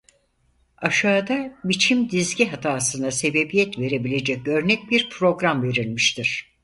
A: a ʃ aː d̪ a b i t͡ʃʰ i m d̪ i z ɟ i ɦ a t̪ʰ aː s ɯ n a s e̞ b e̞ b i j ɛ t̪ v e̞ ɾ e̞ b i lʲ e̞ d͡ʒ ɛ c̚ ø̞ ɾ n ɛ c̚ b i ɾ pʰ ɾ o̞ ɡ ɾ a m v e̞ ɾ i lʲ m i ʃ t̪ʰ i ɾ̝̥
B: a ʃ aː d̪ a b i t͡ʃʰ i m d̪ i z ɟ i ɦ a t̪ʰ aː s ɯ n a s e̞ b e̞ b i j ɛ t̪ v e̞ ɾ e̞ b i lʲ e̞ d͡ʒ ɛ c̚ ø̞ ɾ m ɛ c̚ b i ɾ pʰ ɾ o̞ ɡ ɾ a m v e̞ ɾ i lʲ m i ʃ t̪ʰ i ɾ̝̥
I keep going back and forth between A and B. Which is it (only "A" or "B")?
A